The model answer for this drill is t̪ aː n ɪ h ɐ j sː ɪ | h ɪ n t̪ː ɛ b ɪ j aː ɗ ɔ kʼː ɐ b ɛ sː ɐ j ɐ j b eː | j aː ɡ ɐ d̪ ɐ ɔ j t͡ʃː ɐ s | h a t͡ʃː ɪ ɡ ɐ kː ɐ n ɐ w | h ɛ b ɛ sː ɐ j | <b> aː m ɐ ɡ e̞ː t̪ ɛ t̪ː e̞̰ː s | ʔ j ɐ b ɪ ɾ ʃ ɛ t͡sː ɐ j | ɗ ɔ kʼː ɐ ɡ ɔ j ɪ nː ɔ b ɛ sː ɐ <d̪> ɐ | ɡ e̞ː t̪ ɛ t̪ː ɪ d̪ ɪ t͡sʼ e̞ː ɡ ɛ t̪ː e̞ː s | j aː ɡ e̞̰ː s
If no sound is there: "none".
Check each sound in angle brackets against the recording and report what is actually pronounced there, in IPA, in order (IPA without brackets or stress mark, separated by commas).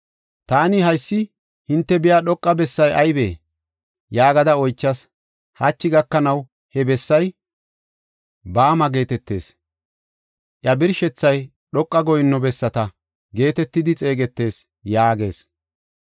b, t̪